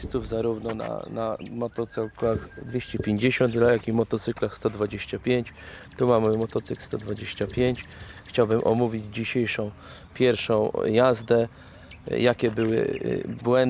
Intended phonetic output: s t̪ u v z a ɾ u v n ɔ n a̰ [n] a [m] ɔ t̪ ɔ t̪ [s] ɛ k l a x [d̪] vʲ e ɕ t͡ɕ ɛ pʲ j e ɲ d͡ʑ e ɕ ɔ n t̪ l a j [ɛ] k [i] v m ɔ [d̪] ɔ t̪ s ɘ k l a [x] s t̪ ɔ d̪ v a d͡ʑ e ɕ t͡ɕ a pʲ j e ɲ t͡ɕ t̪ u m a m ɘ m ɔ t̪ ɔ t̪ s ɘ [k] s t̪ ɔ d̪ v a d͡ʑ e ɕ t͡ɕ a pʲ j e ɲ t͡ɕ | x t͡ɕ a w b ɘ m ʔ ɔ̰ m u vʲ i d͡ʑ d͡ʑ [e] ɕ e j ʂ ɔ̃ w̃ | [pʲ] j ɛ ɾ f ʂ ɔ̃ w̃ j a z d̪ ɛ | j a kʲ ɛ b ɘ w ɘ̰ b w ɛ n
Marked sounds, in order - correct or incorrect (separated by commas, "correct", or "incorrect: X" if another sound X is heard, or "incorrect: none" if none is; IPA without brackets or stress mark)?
correct, correct, correct, correct, incorrect: a, correct, incorrect: t̪, correct, correct, incorrect: i, correct